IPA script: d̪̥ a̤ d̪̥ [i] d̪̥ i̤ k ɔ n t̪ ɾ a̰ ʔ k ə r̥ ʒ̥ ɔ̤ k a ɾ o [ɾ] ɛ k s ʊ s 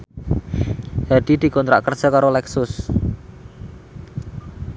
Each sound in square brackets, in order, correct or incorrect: correct, incorrect

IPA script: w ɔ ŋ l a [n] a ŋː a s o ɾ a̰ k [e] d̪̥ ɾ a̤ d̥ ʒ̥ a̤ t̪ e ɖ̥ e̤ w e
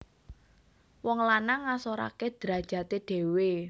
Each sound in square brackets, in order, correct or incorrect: correct, correct

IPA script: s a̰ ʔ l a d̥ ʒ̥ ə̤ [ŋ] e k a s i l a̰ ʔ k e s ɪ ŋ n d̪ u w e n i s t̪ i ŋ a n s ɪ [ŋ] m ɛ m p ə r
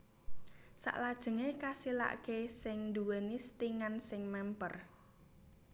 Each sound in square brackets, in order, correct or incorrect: correct, correct

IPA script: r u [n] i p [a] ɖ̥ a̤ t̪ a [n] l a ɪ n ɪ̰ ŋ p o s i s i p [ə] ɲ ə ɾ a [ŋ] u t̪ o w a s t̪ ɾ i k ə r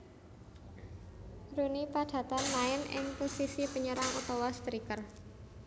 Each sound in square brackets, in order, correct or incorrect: correct, correct, correct, correct, correct

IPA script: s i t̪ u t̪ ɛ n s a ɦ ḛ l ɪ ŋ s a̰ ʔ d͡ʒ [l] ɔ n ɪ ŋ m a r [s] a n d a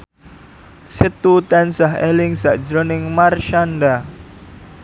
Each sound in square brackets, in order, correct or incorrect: incorrect, incorrect

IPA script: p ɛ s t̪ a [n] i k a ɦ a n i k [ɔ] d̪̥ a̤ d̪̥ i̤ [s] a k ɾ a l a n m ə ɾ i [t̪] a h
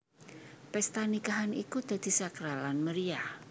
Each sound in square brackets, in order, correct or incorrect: correct, incorrect, correct, incorrect

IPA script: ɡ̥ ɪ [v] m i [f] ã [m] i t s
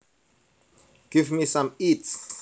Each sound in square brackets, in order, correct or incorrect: correct, incorrect, correct

